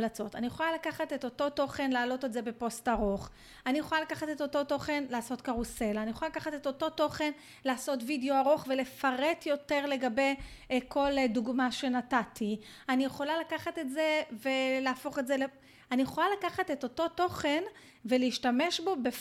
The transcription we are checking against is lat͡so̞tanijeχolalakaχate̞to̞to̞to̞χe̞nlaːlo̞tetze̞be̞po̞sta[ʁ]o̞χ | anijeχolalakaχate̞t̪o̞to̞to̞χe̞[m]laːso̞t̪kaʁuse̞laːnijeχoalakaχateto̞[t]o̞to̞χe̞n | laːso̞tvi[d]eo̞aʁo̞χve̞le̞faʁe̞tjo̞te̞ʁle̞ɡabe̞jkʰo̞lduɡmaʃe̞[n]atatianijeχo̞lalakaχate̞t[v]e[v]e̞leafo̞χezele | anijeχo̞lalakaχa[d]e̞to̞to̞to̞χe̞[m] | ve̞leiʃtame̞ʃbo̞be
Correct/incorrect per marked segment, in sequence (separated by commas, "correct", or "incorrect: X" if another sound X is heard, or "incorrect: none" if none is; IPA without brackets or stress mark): correct, incorrect: n, correct, correct, correct, incorrect: z, correct, incorrect: t, incorrect: n